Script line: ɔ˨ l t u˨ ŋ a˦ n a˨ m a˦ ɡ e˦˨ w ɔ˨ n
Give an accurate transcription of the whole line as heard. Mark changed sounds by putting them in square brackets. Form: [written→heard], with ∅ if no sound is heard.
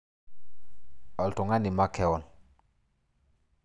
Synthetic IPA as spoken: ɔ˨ l t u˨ ŋ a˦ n [a˨→i˨] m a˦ [ɡ→k] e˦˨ w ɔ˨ n